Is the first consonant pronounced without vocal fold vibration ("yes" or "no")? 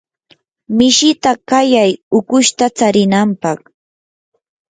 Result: no